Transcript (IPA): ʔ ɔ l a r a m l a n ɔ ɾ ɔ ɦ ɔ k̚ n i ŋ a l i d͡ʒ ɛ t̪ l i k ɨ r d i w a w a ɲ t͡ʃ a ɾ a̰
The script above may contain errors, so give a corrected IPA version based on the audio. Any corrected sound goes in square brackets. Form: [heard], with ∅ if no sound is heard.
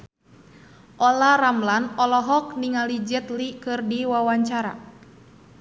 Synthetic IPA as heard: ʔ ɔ l a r a m l a n ɔ [l] ɔ ɦ ɔ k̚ n i ŋ a l i d͡ʒ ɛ t̪ l i k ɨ r d i w a w a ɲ t͡ʃ a ɾ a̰